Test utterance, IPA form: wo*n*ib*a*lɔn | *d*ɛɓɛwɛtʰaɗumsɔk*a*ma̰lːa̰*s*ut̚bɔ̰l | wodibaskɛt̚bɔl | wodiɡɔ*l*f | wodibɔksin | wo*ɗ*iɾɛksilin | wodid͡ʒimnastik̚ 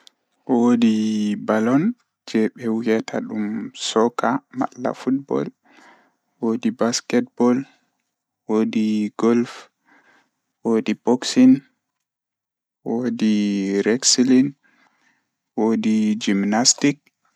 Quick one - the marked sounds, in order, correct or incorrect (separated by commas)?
incorrect, correct, incorrect, correct, incorrect, correct, incorrect